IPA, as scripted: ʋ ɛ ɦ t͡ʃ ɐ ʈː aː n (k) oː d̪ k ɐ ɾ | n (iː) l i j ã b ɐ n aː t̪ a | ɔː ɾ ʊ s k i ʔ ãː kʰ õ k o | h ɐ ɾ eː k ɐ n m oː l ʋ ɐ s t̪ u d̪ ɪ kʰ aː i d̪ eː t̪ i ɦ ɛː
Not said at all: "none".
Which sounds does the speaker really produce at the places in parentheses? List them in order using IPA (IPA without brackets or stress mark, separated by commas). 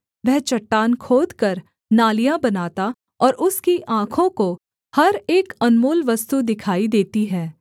kʰ, aː